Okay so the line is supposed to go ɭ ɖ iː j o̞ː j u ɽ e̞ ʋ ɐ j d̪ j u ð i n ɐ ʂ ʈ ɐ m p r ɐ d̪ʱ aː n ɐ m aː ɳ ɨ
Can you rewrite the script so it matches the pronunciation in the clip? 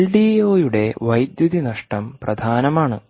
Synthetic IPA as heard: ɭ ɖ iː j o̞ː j u ɽ e̞ ʋ ɐ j d̪ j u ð i n ɐ ʂ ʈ ɐ m p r ɐ d̪ʱ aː n ɐ m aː ɳ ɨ